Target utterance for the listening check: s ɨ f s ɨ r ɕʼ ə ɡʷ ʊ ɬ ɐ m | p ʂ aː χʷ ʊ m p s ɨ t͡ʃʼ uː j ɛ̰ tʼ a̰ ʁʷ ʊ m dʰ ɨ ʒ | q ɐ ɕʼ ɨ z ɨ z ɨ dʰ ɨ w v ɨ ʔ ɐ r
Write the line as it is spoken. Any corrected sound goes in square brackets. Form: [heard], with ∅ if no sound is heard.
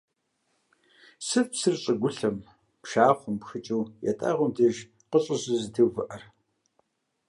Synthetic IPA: s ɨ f s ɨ r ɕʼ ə ɡʷ ʊ ɬ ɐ m | p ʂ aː χʷ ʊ m p [x] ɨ t͡ʃʼ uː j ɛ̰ tʼ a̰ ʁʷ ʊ m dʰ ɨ ʒ | q [ə] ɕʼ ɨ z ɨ z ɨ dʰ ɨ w v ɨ ʔ ɐ r